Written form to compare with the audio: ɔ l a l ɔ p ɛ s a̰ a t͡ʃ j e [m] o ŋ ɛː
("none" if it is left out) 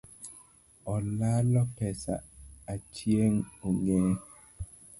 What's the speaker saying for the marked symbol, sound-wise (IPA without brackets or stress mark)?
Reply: ŋ